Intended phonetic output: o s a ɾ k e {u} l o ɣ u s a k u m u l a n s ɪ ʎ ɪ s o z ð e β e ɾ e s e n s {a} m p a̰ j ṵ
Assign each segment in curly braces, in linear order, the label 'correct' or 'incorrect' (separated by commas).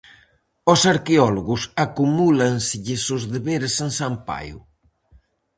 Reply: incorrect, correct